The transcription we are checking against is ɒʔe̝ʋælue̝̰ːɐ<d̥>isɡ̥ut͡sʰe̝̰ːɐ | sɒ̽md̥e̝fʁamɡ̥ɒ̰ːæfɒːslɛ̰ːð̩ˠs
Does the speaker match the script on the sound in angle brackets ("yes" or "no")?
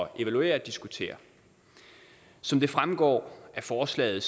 yes